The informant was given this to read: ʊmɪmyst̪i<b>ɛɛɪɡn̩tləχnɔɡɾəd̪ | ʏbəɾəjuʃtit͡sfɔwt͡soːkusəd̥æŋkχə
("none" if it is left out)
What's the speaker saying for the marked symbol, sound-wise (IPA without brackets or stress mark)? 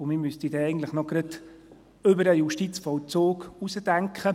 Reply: d